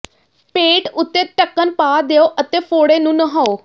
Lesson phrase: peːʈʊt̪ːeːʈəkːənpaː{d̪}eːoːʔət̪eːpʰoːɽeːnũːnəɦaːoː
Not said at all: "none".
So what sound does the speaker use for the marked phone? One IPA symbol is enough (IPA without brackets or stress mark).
d̪